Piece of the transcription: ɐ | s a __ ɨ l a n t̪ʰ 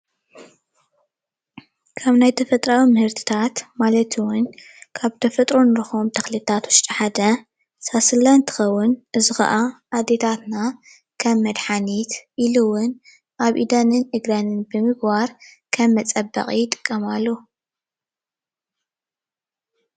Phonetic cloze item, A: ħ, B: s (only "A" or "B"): B